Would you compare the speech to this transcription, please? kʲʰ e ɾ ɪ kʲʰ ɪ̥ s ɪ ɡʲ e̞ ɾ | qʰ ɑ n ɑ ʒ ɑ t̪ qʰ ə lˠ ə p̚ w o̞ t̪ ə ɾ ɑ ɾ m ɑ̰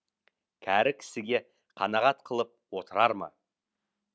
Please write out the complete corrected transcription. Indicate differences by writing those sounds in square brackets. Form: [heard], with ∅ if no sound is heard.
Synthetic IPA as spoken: kʲʰ [æ] ɾ ɪ kʲʰ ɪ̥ s ɪ ɡʲ e̞ [∅] | qʰ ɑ n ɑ [ʁ] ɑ t̪ qʰ ə lˠ ə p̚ w o̞ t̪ ə ɾ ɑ ɾ m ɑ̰